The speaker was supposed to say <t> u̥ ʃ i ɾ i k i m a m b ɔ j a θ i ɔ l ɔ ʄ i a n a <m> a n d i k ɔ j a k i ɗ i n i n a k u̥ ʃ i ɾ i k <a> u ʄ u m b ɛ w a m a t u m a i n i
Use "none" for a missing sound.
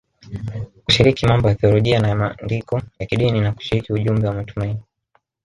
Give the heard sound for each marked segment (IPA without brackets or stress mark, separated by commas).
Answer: k, m, i